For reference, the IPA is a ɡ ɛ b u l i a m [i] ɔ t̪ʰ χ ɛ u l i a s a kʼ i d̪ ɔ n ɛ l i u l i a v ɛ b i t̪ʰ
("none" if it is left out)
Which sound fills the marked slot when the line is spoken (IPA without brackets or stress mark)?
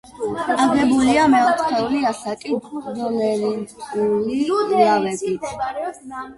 ɛ